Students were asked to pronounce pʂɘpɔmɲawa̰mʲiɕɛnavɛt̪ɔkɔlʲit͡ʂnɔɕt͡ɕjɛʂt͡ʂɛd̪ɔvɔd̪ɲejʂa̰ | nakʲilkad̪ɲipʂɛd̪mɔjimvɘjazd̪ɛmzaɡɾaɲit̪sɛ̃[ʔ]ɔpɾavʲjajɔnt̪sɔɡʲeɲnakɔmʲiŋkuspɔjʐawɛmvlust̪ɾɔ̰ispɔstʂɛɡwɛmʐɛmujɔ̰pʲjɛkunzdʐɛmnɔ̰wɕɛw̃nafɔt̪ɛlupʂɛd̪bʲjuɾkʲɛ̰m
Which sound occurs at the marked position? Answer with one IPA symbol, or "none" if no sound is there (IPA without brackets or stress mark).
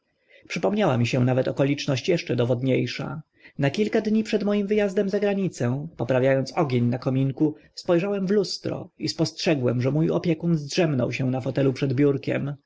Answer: p